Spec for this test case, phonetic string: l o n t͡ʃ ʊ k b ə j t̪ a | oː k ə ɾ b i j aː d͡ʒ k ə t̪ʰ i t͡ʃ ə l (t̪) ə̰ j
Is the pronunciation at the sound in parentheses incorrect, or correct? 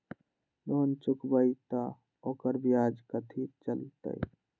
correct